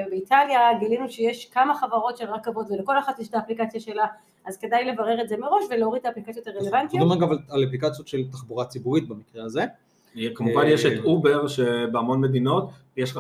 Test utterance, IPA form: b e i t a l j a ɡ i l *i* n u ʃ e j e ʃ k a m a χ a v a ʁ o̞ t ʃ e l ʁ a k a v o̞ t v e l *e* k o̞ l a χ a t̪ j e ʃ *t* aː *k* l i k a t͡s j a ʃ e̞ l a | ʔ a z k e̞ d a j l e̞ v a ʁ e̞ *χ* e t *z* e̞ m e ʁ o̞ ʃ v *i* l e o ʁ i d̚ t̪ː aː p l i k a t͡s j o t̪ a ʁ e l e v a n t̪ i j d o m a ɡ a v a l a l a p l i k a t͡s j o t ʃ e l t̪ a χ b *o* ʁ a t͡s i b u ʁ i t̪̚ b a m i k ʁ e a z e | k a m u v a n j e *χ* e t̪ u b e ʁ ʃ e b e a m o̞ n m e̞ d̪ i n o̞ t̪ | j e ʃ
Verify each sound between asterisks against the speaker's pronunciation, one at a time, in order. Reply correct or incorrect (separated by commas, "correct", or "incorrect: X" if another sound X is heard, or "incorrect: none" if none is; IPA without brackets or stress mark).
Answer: correct, correct, correct, incorrect: p, incorrect: ʁ, correct, incorrect: e, incorrect: u, incorrect: ʃ